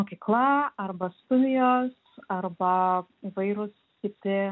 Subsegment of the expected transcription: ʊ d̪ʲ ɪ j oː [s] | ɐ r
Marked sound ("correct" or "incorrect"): correct